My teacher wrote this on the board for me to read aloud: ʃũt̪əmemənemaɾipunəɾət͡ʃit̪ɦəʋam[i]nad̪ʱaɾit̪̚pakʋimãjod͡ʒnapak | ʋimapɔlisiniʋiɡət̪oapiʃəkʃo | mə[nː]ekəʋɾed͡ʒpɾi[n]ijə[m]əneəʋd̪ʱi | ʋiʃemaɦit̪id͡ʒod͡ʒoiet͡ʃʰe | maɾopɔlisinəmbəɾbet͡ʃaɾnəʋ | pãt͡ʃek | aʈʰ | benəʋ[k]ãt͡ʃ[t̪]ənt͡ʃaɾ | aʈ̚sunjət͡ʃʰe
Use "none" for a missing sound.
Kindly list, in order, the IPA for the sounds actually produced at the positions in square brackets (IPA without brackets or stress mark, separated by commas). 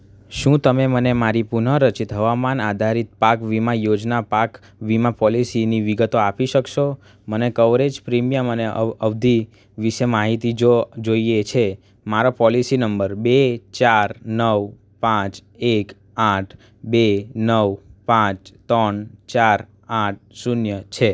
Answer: a, n, m, m, p, t̪